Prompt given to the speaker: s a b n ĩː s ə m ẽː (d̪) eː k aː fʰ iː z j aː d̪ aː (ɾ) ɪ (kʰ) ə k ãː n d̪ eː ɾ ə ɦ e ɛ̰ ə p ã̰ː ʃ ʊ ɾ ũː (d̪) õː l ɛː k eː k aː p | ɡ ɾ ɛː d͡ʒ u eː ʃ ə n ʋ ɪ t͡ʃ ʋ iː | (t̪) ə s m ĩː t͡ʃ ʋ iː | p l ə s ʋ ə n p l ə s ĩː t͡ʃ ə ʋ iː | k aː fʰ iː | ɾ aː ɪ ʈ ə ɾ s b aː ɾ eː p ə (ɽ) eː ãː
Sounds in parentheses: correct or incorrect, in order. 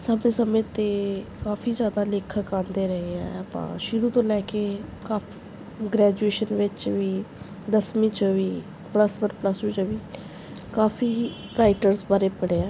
incorrect, incorrect, correct, incorrect, incorrect, correct

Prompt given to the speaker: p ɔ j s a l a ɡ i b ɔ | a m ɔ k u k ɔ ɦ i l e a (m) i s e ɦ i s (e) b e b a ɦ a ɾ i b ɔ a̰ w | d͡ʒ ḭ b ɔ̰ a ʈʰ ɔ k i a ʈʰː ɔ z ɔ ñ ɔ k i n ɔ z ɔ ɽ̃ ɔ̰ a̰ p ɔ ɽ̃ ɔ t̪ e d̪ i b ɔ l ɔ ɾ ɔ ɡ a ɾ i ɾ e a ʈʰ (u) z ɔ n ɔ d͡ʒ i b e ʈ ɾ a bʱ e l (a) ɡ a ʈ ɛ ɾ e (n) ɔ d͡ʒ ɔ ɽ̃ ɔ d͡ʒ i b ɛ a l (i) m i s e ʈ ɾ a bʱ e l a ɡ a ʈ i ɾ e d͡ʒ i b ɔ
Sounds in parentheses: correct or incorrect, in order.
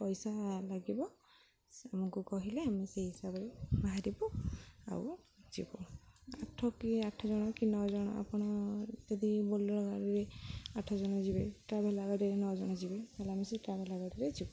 correct, incorrect, incorrect, correct, correct, incorrect

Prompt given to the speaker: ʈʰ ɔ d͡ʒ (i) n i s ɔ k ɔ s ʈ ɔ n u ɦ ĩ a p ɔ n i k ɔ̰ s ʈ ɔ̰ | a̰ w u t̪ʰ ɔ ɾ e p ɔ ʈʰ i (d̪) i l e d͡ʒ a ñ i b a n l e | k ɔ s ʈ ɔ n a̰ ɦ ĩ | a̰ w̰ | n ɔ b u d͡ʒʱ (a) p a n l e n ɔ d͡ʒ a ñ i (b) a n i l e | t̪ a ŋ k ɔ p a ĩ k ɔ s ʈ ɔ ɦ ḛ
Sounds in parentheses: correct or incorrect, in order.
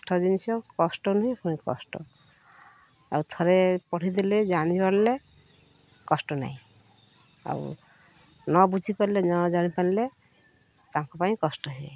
correct, correct, incorrect, incorrect

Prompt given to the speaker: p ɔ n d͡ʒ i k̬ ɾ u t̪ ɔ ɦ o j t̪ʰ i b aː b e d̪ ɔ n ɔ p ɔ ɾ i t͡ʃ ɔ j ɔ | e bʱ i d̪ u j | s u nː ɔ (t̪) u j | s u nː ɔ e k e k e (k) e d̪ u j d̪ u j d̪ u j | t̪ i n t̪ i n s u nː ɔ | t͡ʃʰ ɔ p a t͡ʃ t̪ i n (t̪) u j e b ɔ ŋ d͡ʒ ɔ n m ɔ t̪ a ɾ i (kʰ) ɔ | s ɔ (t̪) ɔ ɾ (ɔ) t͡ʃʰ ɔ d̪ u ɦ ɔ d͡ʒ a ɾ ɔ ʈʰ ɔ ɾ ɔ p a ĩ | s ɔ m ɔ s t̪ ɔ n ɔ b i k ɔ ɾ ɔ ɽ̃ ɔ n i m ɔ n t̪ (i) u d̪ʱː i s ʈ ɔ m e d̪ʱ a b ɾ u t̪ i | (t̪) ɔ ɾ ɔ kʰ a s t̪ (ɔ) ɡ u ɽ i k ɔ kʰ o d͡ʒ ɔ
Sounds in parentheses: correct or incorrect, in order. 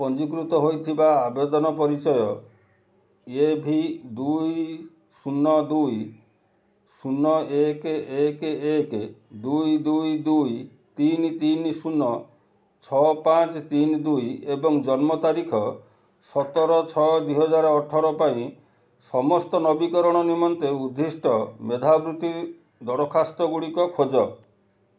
incorrect, correct, incorrect, correct, correct, correct, incorrect, incorrect, correct

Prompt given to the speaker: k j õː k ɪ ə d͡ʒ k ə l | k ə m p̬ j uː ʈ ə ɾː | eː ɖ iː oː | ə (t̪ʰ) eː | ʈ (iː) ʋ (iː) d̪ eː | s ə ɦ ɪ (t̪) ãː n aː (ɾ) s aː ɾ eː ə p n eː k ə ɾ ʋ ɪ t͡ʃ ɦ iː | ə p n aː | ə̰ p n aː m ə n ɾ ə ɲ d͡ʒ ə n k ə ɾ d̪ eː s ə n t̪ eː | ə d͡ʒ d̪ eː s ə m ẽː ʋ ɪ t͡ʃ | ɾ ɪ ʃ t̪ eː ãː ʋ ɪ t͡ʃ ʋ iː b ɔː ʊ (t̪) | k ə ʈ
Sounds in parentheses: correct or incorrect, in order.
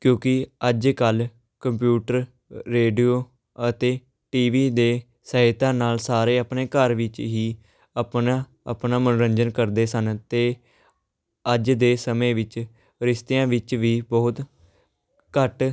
incorrect, correct, correct, correct, incorrect, correct

